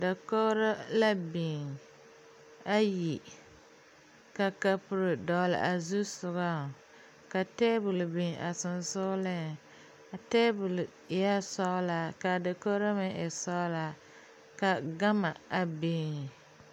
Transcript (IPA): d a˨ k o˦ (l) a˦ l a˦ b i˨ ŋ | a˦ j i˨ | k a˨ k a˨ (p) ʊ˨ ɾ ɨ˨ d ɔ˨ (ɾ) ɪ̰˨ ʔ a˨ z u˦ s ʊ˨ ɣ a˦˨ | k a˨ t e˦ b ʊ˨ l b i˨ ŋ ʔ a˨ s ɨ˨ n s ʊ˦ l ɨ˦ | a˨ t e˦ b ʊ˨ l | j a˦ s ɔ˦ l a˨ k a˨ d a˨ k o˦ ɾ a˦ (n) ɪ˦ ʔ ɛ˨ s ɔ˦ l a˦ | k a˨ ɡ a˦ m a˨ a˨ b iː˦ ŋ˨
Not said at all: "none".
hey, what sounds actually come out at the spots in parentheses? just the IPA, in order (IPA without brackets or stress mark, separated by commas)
ɾ, p, l, m